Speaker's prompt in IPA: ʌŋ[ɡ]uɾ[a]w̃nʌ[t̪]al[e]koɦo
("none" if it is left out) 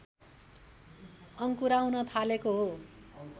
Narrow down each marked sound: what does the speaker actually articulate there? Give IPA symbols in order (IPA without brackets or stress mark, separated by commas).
k, a, t̪ʰ, e